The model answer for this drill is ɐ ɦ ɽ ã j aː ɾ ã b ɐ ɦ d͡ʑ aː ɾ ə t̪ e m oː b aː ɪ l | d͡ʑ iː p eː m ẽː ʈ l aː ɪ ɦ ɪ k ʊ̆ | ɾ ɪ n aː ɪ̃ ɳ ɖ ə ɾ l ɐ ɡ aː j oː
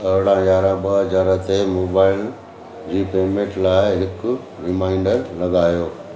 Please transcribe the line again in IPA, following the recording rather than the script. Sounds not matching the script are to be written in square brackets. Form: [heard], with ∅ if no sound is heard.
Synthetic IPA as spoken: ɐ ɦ ɽ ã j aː ɾ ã b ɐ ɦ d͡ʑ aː ɾ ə t̪ e m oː b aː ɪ l | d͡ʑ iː p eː m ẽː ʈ l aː ɪ ɦ ɪ k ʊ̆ | ɾ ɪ [m] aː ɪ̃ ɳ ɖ ə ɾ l ɐ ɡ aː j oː